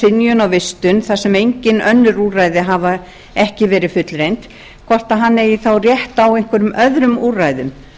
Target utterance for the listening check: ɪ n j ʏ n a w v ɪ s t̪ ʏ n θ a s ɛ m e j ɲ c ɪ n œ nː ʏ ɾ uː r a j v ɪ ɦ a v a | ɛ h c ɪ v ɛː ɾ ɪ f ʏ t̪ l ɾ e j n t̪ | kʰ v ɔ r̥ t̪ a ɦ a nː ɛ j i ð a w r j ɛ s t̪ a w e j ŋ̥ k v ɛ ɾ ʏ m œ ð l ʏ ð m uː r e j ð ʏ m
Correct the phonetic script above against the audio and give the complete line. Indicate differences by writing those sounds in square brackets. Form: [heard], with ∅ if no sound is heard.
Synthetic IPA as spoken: ɪ n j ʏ n a w v ɪ s t̪ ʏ n θ a s ɛ m e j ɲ c ɪ n œ nː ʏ ɾ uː r a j [ð] ɪ ɦ a v a | ɛ h c ɪ v ɛː ɾ ɪ f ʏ t̪ l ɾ e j n t̪ | kʰ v ɔ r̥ t̪ a ɦ a nː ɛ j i [θ] a w r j ɛ [h] t̪ a w e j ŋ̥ k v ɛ ɾ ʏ m œ ð [ɾ] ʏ [∅] m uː r [a] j ð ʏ m